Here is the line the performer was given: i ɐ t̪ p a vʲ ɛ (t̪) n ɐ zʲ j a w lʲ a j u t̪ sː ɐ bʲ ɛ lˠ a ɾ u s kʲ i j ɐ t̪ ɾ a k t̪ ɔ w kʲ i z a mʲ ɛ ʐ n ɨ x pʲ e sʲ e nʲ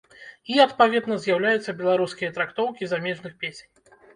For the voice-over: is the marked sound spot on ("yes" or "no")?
no